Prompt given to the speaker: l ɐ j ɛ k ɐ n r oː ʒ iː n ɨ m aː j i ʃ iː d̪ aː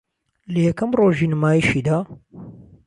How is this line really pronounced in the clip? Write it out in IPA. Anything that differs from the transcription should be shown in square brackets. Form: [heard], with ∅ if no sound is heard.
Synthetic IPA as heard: l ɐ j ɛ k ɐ [m] r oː ʒ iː n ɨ m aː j i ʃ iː d̪ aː